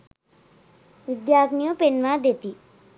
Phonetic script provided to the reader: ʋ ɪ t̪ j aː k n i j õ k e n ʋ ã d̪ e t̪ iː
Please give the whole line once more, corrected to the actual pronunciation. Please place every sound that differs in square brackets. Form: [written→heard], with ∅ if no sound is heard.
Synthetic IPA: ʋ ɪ [t̪→d̪] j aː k n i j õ [k→p] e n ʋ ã d̪ e t̪ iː